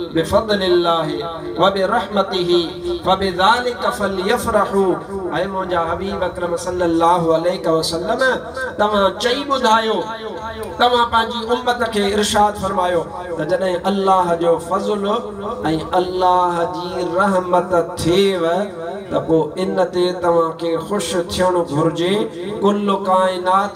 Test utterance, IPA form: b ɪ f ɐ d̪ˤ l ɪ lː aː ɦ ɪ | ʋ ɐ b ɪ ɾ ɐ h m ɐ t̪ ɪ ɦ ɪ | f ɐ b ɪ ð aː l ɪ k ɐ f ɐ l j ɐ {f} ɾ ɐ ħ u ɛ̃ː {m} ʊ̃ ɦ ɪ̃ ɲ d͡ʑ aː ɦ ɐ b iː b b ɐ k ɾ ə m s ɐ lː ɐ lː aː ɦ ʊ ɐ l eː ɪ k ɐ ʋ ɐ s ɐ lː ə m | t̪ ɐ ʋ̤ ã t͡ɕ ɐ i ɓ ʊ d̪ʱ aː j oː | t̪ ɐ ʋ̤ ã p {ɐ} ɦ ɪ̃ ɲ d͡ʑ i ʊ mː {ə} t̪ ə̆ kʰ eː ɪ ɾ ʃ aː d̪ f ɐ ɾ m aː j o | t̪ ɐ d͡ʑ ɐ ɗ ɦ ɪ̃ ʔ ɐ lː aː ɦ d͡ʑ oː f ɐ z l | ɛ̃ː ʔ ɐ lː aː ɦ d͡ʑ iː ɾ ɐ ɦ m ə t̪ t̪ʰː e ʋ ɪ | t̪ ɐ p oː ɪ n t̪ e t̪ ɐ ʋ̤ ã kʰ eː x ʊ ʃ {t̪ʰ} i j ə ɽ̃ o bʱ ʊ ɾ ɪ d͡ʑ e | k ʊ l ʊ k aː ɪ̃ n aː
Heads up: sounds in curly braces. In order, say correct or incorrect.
correct, correct, incorrect: ɐ̃, correct, correct

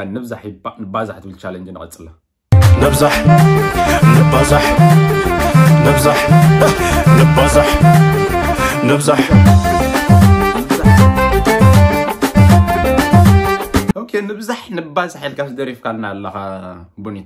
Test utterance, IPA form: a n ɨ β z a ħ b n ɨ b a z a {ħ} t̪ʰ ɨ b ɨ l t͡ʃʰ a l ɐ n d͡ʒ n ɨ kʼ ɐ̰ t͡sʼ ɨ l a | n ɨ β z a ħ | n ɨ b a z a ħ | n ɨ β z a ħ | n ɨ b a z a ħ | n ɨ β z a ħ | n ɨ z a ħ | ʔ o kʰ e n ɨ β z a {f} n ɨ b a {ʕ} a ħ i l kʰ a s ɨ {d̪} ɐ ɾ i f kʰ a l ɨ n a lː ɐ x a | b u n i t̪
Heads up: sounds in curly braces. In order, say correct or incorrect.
correct, incorrect: ħ, incorrect: z, correct

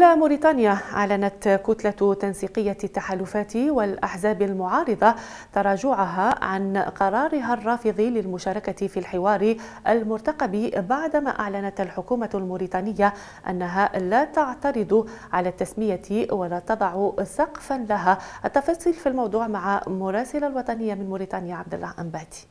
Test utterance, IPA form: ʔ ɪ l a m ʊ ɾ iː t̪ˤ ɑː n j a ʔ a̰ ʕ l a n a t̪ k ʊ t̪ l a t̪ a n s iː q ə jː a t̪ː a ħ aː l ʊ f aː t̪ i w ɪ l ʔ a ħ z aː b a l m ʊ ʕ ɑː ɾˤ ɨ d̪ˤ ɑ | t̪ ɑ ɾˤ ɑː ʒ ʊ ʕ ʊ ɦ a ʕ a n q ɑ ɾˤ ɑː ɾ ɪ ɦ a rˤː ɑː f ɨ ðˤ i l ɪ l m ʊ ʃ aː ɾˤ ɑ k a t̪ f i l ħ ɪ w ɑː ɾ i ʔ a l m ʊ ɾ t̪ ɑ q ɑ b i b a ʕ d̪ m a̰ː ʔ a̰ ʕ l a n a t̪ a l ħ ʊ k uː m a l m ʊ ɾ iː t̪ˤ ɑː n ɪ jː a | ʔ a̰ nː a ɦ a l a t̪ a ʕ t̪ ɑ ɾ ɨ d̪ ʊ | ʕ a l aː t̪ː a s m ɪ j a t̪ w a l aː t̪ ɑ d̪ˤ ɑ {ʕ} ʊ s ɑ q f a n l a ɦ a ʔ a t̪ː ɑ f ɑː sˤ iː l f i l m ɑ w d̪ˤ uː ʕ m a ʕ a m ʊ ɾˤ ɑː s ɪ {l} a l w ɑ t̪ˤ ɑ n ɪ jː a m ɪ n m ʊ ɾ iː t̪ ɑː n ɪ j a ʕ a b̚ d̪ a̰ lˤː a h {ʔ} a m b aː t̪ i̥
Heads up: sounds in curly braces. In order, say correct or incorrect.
correct, correct, correct

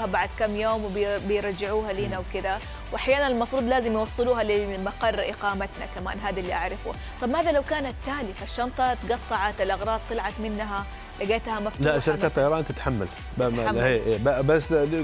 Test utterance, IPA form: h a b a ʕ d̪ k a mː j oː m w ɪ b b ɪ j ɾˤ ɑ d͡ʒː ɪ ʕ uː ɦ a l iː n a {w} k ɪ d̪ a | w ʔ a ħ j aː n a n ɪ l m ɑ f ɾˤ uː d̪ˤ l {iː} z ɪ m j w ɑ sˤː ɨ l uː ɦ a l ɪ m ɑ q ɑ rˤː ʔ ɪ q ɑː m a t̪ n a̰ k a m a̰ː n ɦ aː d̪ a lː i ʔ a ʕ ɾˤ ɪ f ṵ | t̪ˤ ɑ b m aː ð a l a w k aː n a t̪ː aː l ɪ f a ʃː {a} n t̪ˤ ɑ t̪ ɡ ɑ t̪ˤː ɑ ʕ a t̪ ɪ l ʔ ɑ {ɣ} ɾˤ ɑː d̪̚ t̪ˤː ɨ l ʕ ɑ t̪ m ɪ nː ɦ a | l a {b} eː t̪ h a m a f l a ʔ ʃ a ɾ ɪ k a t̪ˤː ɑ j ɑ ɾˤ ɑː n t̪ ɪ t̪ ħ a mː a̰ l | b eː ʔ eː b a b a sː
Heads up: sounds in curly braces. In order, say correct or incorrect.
correct, incorrect: aː, incorrect: ɑ, correct, incorrect: ɡ

